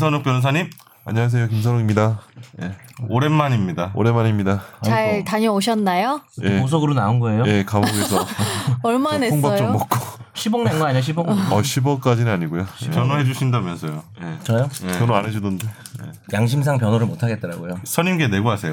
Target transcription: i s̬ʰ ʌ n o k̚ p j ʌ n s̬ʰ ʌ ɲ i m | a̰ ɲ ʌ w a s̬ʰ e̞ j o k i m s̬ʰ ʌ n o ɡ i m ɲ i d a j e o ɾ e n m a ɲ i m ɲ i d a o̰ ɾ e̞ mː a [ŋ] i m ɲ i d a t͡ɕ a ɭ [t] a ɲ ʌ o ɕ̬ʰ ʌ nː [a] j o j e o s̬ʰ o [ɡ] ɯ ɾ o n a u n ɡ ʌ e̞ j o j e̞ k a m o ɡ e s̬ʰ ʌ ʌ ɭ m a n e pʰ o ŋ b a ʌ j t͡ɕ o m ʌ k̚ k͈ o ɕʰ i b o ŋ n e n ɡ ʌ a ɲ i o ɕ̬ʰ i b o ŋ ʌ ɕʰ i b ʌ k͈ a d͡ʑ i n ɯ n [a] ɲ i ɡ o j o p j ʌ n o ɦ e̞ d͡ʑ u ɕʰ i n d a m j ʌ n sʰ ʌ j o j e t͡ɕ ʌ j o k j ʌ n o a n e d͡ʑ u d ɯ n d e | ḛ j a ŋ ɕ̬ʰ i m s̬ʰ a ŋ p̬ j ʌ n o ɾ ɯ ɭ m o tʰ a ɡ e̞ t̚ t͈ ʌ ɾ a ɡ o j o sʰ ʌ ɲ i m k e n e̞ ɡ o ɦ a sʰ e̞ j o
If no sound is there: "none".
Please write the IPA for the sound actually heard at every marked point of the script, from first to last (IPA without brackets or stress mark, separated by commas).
ɲ, t, a, ɡ, a